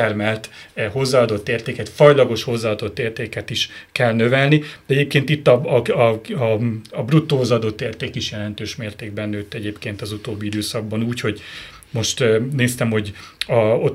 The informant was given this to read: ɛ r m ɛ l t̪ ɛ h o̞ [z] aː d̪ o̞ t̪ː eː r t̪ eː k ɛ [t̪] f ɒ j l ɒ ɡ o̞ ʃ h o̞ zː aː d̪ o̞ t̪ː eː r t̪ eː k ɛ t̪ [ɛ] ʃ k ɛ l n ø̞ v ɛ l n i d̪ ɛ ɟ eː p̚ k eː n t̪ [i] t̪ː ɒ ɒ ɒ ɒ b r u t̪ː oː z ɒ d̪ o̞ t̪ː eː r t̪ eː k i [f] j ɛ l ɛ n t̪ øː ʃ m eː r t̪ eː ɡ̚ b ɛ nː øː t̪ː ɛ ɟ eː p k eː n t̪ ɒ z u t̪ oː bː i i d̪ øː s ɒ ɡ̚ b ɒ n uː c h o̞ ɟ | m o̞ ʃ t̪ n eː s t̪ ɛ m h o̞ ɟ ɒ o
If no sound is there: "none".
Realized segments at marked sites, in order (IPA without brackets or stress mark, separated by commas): zː, t̪, i, i, ʃ